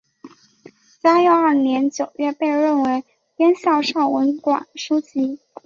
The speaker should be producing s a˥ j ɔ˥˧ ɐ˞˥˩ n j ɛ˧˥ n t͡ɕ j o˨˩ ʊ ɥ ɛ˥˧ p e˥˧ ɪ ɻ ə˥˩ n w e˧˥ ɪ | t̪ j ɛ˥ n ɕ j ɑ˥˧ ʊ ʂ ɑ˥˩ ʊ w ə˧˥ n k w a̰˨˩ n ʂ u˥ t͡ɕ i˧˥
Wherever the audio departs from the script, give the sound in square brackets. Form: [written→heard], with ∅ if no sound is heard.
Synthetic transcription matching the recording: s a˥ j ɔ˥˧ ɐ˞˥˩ n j ɛ˧˥ n t͡ɕ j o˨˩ ʊ ɥ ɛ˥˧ p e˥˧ ɪ ɻ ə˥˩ n w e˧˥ ɪ | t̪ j ɛ˥ n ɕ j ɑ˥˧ ʊ ʂ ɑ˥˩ ʊ w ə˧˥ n k w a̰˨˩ n ʂ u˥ t͡ɕ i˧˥